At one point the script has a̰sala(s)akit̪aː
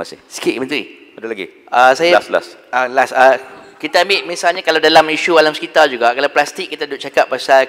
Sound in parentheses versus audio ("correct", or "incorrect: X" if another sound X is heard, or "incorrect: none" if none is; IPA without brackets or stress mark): correct